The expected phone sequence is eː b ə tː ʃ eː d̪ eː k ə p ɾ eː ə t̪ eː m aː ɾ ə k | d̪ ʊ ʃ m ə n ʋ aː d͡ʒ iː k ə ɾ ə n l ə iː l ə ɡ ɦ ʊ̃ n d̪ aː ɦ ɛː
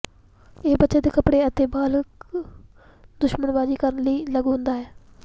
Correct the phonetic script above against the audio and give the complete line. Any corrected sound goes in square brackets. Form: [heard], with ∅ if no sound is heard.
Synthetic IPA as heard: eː b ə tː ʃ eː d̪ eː k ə p [ɽ] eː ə t̪ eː [b] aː [l] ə k | d̪ ʊ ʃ m ə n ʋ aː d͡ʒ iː k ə ɾ ə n l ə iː l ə ɡ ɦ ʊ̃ n d̪ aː ɦ ɛː